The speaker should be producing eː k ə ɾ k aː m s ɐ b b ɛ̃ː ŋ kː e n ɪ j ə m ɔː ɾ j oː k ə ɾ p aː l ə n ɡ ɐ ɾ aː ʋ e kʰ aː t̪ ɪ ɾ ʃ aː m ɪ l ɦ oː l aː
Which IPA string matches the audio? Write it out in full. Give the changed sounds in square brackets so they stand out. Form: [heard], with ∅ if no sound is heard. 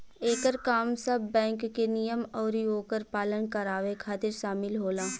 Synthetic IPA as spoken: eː k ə ɾ k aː m s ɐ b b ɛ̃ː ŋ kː e n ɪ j ə m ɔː ɾ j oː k ə ɾ p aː l ə n [k] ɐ ɾ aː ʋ e kʰ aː t̪ ɪ ɾ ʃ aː m ɪ l ɦ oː l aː